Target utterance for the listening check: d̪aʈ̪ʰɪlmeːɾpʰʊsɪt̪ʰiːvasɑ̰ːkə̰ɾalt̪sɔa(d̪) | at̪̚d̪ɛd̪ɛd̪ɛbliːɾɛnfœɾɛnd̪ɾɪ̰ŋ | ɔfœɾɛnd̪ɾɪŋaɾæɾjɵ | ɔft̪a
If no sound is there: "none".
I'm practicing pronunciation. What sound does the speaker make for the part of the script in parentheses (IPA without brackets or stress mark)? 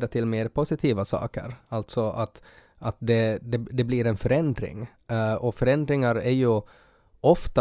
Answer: t̪